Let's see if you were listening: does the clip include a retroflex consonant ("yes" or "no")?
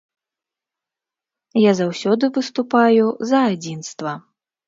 no